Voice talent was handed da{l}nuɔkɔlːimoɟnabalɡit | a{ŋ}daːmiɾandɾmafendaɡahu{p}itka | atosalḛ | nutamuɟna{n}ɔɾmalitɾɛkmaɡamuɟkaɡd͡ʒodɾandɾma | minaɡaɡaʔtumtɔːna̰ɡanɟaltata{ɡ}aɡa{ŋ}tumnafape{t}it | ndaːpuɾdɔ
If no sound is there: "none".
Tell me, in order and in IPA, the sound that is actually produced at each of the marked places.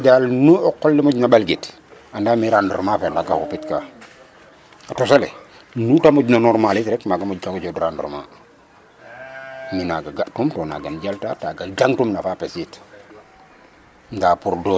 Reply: l, n, p, n, ɡ, ŋ, s

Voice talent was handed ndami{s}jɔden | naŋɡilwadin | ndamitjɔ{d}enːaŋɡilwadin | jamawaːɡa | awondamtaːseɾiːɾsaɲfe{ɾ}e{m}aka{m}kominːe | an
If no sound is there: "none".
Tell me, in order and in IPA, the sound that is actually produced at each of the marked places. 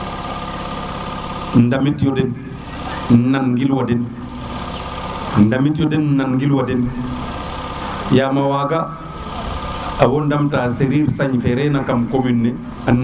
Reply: t, d, ɾ, n, m

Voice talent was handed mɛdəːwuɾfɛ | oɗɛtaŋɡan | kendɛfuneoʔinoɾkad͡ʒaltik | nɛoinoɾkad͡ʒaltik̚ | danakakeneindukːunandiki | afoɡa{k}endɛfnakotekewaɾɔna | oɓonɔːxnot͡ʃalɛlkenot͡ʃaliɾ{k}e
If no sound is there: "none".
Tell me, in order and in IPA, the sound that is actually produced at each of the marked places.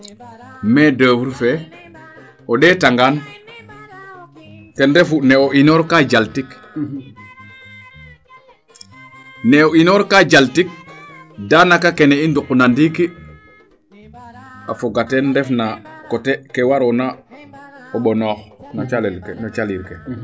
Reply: t, k

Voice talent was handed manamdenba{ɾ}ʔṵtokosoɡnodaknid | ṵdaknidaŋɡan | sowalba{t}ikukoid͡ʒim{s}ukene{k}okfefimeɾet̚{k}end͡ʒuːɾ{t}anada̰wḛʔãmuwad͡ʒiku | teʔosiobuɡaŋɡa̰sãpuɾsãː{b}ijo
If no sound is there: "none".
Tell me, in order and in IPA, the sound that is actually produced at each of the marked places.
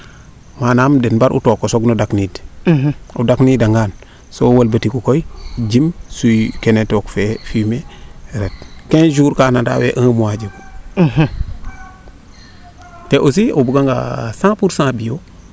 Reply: ɾ, t, s, t, k, k, b

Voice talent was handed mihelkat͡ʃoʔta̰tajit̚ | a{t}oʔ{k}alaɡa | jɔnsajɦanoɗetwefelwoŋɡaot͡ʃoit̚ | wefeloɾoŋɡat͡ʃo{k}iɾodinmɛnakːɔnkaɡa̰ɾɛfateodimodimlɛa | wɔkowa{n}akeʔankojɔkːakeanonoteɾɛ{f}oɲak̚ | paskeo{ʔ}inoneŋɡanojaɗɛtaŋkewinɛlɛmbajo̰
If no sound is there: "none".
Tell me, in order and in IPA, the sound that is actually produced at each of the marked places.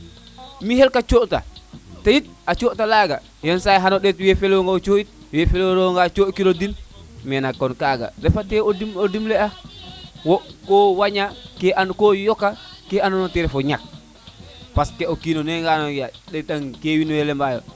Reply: t͡ʃ, t, k, ɲ, f, k

